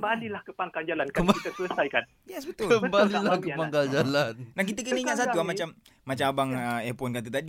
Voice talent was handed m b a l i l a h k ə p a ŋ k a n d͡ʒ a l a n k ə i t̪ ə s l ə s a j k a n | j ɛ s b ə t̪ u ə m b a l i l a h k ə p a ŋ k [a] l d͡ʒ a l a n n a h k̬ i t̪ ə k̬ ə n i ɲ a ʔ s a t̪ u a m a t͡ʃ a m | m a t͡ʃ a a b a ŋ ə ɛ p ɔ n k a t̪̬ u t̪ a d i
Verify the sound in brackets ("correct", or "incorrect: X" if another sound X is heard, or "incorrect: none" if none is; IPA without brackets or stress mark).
correct